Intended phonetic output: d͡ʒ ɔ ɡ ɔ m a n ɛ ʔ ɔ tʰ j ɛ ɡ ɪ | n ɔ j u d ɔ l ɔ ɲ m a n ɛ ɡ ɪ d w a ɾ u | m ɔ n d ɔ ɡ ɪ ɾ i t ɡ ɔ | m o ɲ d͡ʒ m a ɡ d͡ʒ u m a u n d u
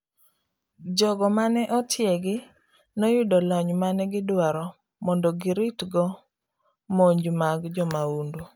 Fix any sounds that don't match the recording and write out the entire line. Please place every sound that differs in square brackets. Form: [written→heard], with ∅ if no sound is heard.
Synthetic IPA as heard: d͡ʒ ɔ ɡ ɔ m a n ɛ ʔ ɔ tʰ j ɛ ɡ ɪ | n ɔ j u d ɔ l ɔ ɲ m a n ɛ ɡ ɪ d w a ɾ [u→ɔ] | m ɔ n d ɔ ɡ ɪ ɾ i t ɡ ɔ | m o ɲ d͡ʒ m a ɡ d͡ʒ [u→ɔ] m a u n d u